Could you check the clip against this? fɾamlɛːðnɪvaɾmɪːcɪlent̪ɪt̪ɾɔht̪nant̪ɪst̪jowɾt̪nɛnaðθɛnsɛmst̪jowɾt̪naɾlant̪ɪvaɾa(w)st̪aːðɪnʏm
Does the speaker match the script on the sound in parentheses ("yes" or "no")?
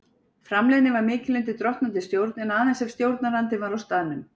yes